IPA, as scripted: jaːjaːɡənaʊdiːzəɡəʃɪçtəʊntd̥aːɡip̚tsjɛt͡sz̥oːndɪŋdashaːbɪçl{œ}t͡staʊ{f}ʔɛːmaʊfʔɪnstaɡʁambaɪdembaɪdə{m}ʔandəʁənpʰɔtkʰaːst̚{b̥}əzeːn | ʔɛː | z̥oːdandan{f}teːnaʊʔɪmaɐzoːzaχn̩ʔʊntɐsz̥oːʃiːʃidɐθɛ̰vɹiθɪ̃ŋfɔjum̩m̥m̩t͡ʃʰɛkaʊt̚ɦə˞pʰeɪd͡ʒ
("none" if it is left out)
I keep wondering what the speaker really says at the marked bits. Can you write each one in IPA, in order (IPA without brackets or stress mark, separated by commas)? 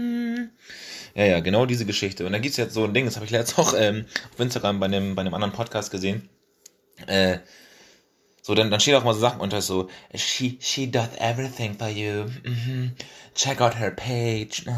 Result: ɛ, x, m, ɡ̥, ʃ